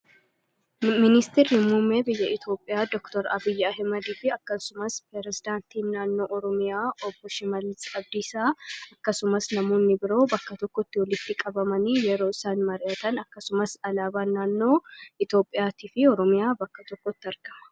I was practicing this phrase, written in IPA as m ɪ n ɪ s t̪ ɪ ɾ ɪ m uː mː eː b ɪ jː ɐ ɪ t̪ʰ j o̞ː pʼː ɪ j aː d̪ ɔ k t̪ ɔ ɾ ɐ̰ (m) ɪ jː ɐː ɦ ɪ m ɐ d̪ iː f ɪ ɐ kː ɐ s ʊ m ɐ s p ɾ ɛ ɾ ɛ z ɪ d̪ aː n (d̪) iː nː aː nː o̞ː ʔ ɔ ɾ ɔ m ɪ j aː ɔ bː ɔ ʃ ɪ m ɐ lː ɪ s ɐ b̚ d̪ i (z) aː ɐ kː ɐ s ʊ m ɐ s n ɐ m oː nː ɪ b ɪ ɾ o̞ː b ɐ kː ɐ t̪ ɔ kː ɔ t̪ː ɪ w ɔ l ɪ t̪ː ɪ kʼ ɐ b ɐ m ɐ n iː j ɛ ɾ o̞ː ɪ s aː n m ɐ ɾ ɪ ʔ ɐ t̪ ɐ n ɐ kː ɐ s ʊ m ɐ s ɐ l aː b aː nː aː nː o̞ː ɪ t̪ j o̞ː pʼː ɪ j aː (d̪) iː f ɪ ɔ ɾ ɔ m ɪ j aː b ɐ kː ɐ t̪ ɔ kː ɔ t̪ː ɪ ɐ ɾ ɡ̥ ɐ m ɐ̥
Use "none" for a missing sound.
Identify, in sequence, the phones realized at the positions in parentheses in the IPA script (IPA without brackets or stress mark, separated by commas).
b, t̪, s, t̪